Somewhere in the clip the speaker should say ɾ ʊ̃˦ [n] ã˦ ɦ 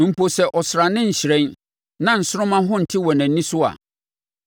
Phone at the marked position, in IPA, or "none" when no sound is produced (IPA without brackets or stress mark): m